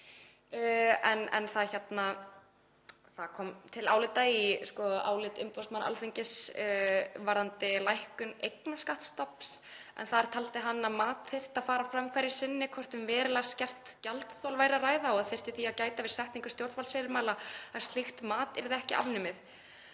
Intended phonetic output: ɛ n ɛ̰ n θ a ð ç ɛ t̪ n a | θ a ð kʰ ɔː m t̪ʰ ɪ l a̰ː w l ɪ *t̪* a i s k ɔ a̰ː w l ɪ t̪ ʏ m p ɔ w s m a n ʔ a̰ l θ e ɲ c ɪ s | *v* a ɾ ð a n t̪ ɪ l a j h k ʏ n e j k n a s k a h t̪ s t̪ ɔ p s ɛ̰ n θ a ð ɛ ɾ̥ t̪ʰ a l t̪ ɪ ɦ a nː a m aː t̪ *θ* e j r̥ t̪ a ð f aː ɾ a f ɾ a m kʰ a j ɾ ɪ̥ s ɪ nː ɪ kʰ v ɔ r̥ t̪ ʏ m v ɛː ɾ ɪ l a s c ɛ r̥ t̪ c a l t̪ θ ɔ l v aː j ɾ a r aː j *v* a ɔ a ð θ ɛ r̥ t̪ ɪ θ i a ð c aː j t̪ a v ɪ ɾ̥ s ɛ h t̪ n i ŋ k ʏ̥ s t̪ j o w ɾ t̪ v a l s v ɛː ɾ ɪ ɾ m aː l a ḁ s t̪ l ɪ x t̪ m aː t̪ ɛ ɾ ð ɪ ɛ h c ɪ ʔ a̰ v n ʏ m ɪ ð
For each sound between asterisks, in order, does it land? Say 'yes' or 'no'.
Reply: yes, yes, yes, no

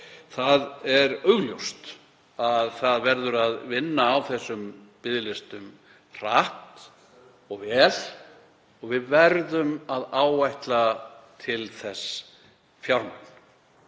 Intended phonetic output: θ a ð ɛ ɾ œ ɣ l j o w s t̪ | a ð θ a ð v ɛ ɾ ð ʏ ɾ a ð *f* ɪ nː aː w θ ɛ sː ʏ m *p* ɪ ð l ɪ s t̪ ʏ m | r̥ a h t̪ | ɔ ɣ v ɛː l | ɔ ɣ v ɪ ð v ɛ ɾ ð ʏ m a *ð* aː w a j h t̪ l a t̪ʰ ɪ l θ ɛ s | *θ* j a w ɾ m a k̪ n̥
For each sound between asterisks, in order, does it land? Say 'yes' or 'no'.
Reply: no, yes, yes, no

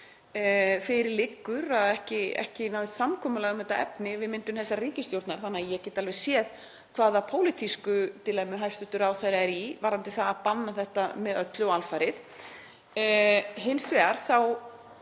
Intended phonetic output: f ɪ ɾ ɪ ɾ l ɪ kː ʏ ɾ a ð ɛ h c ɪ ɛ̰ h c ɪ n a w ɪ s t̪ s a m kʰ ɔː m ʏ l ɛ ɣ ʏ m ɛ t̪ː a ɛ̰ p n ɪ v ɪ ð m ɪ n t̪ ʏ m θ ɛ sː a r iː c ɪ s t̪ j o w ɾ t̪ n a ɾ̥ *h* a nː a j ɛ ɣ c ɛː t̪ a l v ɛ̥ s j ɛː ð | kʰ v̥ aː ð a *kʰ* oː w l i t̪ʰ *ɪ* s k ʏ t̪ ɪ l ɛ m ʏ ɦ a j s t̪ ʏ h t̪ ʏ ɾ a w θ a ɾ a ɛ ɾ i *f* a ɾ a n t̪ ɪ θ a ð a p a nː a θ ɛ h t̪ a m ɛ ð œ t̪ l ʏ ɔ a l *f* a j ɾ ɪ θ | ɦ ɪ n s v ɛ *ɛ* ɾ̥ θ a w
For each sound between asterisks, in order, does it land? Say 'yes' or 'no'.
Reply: no, no, no, no, yes, no

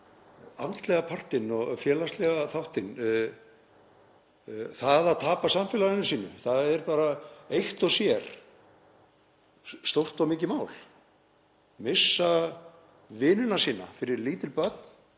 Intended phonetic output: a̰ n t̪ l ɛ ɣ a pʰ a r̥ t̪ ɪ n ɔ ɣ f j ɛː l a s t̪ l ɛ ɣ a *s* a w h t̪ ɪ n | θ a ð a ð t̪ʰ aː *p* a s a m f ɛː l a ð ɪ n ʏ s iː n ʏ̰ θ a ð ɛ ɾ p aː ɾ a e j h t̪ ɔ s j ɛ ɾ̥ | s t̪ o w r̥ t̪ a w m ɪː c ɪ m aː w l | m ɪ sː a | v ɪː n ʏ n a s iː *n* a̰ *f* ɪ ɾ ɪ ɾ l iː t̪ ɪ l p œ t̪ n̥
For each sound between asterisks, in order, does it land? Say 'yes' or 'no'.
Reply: no, yes, yes, yes

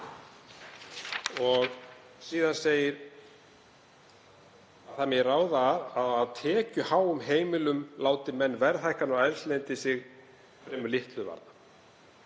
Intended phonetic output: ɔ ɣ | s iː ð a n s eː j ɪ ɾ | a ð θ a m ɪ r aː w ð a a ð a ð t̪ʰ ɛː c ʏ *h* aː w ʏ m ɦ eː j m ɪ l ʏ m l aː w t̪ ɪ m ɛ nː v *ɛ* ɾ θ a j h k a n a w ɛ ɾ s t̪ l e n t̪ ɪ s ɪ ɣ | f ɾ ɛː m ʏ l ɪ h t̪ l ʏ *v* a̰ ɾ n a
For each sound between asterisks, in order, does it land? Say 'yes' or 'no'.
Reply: yes, yes, yes

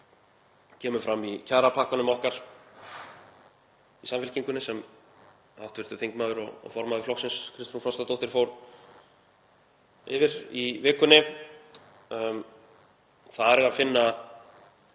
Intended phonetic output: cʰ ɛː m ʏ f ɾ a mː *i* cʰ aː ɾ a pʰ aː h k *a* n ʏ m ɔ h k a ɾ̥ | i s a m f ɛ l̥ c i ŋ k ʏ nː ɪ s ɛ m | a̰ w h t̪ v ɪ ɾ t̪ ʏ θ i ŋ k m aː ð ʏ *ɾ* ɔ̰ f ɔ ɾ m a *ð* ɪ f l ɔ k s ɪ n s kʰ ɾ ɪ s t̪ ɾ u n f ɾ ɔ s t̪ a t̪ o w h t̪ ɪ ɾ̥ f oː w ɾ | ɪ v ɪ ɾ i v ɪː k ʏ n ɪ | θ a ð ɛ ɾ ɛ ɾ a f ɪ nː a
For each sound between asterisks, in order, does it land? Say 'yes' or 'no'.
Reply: yes, yes, yes, yes

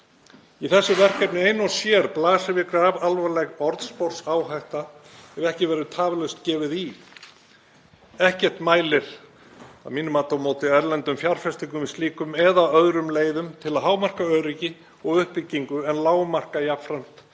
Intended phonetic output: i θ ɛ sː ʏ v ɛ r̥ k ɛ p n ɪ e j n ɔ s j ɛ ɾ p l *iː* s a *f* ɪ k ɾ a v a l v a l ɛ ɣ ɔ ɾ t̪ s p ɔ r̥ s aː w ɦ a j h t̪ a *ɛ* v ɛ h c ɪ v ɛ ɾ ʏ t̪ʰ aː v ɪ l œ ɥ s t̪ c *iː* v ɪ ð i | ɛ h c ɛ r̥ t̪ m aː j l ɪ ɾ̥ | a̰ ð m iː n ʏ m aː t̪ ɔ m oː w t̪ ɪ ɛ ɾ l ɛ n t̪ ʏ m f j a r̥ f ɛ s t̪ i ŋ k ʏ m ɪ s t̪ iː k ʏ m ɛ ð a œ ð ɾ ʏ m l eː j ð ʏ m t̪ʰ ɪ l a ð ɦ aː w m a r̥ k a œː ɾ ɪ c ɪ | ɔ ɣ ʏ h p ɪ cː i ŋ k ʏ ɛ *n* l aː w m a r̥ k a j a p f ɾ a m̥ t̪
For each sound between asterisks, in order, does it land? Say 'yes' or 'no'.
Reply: no, no, yes, no, yes

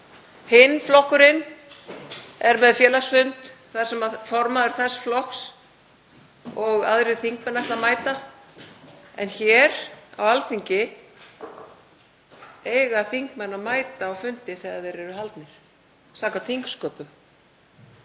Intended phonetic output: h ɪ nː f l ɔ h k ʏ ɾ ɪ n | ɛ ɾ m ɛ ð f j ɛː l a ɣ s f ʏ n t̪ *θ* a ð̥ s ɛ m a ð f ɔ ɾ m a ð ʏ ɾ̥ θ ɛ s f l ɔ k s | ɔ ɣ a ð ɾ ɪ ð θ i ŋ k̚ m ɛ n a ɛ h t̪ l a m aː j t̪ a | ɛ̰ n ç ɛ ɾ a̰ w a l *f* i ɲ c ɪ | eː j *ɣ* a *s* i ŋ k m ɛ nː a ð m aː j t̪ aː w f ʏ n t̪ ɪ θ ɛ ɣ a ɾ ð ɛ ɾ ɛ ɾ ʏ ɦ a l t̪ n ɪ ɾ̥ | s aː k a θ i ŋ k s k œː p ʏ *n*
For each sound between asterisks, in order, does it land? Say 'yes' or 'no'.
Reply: yes, no, yes, no, no

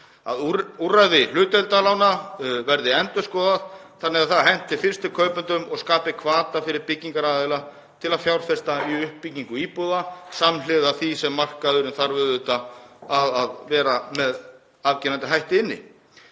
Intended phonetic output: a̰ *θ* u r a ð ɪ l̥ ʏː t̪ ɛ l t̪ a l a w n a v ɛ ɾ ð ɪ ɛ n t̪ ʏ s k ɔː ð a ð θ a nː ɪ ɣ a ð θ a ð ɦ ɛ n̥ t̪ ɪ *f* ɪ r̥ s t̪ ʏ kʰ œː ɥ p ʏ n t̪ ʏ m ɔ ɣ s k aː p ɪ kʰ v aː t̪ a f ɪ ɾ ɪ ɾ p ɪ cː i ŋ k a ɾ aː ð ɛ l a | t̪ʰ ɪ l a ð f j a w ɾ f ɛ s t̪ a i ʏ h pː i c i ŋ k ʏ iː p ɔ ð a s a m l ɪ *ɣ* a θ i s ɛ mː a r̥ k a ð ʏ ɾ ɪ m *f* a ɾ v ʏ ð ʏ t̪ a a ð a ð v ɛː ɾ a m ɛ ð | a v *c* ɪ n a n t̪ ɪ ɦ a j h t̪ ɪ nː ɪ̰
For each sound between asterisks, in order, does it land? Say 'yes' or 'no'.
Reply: no, yes, no, no, yes

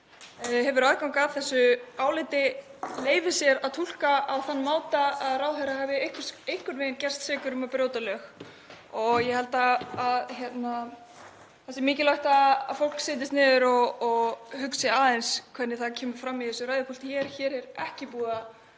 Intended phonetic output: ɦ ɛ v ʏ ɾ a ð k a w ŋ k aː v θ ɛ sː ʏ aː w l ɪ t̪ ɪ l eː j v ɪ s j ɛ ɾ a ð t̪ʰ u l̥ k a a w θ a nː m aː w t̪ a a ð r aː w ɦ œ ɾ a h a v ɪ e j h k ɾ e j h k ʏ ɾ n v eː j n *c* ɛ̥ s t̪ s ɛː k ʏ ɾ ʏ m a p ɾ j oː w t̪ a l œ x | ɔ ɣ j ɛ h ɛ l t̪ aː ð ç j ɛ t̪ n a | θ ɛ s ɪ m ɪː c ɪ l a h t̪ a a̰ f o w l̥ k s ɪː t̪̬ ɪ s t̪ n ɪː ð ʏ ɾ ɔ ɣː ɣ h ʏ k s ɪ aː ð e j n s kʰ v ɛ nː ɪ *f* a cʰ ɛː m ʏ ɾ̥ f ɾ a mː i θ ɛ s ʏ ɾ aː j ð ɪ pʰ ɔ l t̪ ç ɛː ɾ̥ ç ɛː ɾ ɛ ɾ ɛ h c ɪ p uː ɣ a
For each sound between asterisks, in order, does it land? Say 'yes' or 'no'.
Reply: yes, no

